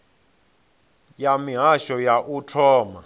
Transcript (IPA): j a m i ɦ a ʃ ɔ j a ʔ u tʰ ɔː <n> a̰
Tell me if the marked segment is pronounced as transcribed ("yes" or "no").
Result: no